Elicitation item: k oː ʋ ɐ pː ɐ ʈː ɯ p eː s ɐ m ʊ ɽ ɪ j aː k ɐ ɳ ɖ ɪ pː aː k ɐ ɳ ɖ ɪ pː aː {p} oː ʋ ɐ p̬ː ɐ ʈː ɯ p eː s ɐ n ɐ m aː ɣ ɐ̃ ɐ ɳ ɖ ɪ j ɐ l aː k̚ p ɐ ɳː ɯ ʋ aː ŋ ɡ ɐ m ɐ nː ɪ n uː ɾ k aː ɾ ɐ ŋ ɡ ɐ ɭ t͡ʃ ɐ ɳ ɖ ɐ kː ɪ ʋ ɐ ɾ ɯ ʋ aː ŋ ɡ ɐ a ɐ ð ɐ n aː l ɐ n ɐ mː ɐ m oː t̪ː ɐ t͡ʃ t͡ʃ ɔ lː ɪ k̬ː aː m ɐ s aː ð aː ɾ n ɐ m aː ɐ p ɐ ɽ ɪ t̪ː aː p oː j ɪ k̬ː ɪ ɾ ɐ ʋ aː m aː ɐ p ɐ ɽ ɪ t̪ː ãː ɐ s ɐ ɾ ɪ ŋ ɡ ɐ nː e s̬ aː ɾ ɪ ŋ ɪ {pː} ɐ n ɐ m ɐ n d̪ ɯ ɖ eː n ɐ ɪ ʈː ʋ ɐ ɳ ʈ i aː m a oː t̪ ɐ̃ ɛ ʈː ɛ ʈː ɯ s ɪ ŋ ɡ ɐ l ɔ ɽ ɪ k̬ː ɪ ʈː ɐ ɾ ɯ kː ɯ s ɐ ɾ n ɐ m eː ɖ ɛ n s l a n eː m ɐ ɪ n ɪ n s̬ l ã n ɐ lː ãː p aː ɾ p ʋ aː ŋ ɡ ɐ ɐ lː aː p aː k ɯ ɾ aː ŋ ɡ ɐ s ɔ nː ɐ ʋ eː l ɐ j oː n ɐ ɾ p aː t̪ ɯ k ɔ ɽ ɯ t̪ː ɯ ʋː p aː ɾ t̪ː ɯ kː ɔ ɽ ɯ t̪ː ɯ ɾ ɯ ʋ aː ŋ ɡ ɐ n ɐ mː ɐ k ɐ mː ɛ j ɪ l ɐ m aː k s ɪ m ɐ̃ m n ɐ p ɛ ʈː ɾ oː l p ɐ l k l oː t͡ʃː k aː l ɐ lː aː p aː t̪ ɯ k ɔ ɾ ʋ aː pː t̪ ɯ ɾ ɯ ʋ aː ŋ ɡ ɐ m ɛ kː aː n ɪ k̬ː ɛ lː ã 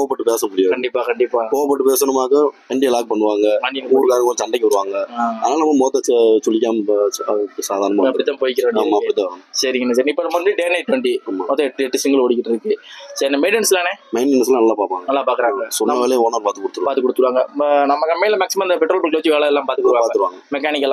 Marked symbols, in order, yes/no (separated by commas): no, yes